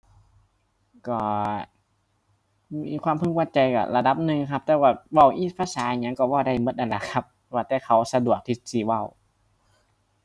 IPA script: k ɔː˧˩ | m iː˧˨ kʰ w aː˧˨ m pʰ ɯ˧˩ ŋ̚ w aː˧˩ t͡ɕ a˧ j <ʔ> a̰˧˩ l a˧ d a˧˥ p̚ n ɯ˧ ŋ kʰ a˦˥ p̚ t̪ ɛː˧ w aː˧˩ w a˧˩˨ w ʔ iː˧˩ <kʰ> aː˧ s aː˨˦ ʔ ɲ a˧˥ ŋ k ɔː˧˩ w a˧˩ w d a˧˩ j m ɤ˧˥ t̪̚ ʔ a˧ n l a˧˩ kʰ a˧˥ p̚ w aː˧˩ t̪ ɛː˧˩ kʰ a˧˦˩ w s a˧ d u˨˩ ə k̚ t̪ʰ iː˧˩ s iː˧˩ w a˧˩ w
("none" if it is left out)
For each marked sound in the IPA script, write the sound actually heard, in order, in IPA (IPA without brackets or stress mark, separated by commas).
k, pʰ